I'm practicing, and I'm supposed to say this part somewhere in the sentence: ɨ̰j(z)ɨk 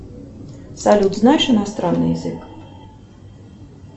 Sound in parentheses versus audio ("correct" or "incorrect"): correct